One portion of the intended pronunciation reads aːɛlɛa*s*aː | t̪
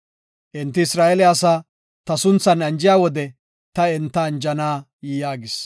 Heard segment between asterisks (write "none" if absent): s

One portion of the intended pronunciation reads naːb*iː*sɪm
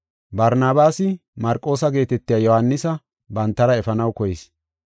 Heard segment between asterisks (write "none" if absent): aː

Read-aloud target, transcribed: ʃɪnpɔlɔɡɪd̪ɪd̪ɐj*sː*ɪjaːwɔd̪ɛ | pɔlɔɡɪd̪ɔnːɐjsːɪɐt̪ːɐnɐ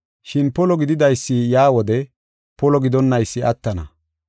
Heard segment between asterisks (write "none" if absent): sː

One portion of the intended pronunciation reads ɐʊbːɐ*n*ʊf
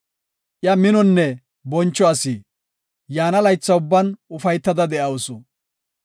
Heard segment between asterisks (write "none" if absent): n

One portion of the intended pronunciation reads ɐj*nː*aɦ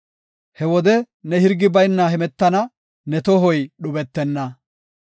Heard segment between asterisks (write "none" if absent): nː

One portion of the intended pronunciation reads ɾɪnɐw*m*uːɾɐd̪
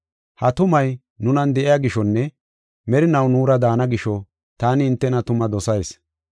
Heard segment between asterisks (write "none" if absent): n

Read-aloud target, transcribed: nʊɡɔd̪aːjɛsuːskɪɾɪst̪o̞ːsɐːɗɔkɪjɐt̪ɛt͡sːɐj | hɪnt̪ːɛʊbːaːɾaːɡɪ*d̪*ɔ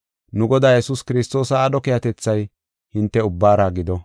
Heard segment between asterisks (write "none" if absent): d̪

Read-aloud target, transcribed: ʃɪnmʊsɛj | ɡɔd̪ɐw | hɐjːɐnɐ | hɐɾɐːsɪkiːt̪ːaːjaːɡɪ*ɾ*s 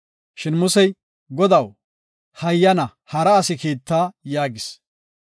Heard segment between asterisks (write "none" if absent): none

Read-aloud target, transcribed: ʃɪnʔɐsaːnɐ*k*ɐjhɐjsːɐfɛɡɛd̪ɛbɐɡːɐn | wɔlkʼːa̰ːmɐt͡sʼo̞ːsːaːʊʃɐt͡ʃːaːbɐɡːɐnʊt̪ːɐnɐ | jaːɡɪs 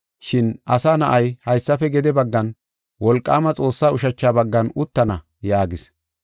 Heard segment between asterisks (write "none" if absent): ʔ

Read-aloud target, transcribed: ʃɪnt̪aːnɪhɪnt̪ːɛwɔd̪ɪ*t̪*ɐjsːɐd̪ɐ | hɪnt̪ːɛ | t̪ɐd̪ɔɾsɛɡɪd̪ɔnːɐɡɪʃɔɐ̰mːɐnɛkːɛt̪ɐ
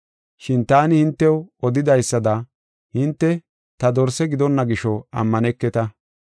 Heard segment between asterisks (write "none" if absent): d̪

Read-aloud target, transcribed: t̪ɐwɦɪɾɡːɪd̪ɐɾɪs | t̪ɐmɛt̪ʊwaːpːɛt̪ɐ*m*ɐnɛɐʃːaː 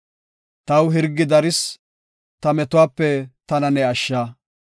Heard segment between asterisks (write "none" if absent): n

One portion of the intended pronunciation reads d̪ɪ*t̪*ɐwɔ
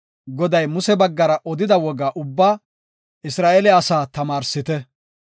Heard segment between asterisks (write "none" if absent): d̪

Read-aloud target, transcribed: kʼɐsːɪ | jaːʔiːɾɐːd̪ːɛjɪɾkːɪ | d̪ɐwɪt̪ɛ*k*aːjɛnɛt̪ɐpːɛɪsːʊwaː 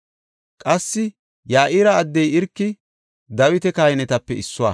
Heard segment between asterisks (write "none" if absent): k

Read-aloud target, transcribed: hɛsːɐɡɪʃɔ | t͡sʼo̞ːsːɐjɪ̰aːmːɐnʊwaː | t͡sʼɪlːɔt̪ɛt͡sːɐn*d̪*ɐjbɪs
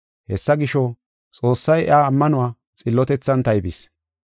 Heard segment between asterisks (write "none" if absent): t̪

